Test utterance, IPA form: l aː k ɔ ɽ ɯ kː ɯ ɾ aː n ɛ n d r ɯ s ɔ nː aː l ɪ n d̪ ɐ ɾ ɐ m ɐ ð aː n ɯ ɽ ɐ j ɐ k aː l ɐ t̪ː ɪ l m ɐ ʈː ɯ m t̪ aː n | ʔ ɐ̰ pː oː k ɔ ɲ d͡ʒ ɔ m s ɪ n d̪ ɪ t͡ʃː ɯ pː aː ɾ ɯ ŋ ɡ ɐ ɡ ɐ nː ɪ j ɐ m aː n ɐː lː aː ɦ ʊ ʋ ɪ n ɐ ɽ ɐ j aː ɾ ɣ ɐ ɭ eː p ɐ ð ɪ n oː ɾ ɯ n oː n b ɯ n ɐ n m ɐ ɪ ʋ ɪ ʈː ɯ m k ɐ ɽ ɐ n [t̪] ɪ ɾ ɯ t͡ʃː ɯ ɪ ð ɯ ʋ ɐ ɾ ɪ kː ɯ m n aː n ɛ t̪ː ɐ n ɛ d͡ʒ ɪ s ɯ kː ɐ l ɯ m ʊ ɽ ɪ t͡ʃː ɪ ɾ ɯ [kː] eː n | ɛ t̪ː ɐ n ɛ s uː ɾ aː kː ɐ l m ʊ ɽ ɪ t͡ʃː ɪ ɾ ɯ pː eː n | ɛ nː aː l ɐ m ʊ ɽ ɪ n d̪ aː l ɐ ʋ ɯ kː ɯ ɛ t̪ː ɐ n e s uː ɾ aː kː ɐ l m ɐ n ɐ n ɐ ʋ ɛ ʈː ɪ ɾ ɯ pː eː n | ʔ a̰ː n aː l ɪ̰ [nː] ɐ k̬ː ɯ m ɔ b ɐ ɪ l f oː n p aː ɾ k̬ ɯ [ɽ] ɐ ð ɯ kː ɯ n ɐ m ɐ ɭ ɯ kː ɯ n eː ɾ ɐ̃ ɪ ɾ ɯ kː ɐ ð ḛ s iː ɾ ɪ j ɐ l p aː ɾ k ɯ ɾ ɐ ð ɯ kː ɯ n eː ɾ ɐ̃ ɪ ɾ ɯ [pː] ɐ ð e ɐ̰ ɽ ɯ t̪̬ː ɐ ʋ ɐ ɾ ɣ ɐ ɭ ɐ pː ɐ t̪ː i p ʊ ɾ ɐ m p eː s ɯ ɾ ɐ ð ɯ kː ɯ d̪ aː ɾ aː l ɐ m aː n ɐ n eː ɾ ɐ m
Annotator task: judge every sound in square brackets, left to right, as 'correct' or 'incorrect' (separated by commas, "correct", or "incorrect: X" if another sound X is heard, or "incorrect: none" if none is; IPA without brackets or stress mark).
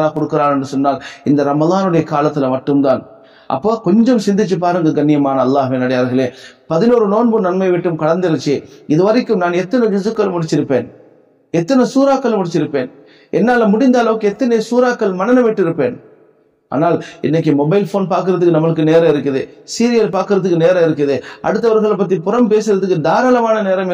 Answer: incorrect: d̪, incorrect: pː, correct, incorrect: ɾ, incorrect: kː